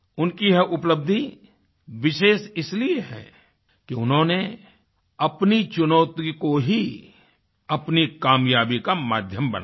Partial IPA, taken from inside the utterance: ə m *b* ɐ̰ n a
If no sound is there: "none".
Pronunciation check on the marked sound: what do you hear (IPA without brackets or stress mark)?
b